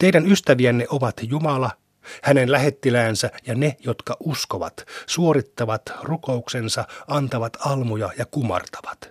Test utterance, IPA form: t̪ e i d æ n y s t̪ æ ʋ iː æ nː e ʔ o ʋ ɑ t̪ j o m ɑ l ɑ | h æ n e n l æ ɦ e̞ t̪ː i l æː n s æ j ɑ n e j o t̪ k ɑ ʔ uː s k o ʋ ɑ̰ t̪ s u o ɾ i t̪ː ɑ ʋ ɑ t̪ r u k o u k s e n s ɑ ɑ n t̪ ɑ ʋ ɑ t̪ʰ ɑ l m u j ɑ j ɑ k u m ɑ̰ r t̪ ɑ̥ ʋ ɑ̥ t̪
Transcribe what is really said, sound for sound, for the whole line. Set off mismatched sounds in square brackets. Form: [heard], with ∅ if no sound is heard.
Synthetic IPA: t̪ e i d æ n y s t̪ æ ʋ [i] æ nː e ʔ o ʋ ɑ t̪ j [u] m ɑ l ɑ | h æ n e n l æ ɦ e̞ t̪ː i l æː n s æ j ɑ n e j o t̪ k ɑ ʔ [u] s k o ʋ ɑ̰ t̪ s u o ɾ i t̪ː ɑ ʋ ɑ t̪ r u k o u k s e n s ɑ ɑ n t̪ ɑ ʋ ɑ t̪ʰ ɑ l m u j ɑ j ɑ k u m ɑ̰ r t̪ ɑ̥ ʋ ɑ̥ t̪